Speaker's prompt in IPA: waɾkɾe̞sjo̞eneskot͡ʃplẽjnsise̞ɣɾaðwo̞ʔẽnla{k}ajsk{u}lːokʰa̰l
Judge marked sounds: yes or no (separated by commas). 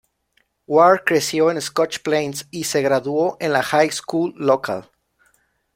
no, yes